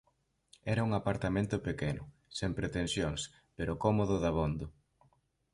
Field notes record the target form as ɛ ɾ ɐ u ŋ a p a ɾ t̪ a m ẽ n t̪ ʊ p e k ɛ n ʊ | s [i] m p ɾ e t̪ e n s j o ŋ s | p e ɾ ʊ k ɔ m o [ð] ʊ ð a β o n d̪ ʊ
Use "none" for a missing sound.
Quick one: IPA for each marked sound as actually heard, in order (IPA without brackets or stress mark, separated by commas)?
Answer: e, ð